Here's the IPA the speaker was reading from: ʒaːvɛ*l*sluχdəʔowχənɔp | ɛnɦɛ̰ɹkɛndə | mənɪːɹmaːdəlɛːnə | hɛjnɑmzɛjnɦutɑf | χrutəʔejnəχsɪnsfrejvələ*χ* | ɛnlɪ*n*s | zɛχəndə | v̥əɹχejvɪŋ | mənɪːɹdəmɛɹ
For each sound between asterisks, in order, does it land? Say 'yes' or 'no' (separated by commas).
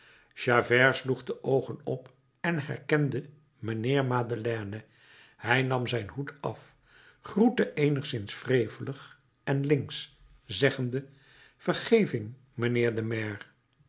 no, yes, no